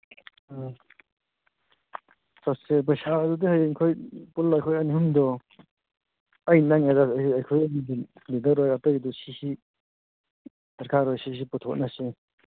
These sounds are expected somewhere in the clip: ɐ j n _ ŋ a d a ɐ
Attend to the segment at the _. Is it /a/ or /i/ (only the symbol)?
a